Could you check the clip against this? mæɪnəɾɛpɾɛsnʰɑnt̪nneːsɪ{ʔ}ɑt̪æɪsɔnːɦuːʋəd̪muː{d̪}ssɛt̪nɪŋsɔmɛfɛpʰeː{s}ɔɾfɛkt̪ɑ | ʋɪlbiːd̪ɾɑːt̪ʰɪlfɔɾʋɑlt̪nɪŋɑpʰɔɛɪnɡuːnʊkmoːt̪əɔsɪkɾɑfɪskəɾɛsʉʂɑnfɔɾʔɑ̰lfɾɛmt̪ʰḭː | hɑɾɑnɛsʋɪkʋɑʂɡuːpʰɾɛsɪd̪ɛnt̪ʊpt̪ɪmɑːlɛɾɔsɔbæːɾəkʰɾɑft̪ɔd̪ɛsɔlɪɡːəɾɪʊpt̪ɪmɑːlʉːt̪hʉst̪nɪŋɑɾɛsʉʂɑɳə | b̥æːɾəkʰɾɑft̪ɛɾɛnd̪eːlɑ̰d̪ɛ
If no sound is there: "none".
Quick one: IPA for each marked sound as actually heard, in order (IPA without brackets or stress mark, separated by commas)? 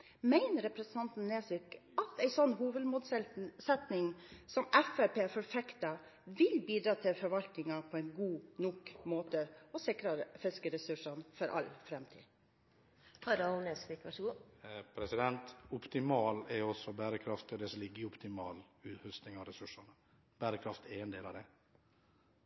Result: k, d̪, f